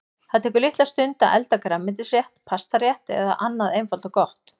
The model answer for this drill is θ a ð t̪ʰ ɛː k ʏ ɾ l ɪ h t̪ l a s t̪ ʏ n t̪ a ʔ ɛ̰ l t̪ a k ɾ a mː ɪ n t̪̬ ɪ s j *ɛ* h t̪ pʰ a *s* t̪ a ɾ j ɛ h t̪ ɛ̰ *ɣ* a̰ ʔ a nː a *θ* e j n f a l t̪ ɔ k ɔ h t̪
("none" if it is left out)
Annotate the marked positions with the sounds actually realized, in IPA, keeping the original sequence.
ɛ, s, ð, ð

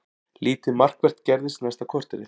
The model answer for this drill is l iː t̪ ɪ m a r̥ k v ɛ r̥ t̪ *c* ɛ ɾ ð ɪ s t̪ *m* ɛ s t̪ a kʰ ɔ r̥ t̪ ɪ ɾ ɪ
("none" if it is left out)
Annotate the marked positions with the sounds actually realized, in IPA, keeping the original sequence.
c, n

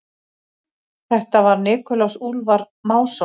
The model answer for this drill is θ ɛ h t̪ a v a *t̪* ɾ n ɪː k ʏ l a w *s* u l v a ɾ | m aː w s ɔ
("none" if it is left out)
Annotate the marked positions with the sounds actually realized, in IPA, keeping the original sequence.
none, s

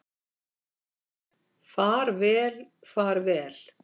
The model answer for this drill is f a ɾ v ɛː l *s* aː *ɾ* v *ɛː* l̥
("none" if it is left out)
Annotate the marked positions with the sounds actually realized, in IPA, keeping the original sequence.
f, ɾ, ɛː

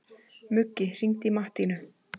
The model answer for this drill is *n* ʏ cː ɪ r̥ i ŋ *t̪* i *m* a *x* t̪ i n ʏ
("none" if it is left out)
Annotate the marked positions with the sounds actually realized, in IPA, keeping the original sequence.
m, t̪, m, h

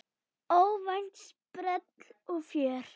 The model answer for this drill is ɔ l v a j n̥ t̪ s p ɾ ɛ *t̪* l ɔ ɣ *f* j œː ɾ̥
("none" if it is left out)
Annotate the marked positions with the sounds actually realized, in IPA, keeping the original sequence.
t̪, f

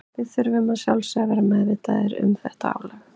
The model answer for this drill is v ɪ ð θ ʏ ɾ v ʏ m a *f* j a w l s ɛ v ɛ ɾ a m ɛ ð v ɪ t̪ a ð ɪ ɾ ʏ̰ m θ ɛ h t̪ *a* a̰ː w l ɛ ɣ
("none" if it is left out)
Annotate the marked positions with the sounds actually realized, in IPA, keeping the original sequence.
s, a

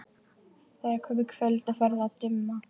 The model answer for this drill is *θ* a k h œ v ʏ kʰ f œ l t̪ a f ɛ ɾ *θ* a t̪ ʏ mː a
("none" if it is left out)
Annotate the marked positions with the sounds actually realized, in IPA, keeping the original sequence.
θ, ð

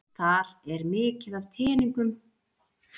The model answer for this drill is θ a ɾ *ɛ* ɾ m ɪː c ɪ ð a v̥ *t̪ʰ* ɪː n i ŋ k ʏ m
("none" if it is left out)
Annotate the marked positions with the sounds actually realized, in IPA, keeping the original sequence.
ɛ, t̪ʰ

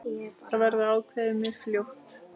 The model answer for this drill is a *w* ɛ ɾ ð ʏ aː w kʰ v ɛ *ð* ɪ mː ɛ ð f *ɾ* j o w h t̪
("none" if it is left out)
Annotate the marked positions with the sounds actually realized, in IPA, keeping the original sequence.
v, ð, l

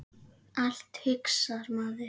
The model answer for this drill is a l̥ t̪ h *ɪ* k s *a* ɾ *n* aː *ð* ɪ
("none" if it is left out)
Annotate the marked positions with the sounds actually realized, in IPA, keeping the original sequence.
ɪ, a, m, ð

